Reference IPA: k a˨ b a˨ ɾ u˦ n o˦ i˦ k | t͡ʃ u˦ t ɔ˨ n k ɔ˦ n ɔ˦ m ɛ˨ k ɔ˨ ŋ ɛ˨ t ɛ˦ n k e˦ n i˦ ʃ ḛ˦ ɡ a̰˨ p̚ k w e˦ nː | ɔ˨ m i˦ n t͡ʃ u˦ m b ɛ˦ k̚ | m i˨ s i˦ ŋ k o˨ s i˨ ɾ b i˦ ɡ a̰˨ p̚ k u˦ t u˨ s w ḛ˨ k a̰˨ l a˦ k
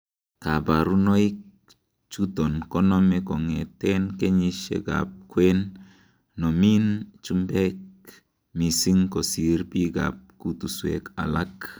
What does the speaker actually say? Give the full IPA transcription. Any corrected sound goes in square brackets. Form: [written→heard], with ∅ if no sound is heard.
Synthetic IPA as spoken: k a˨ b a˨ ɾ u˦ n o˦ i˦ k | t͡ʃ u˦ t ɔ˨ n k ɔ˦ n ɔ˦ m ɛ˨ k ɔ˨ ŋ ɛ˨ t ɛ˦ n k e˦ [n→ɲ] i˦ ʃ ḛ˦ ɡ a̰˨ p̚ k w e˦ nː | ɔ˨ m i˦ n t͡ʃ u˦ m b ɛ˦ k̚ | m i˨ s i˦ ŋ k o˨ s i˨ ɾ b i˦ ɡ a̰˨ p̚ k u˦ t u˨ s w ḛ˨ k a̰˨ l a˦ k